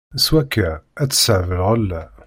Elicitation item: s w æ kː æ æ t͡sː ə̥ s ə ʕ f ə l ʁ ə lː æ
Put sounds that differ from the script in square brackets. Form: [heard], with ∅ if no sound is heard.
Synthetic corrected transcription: s w æ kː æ æ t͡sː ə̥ s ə ʕ [v] ə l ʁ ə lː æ